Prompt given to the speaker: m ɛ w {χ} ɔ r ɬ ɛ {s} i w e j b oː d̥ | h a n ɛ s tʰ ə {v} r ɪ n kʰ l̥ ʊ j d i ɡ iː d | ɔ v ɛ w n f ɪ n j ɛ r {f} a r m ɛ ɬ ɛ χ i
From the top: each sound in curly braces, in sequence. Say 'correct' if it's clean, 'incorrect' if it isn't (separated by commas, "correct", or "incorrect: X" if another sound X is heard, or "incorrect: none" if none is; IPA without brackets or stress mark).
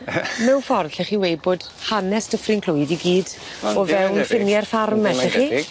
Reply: incorrect: f, incorrect: χ, incorrect: f, correct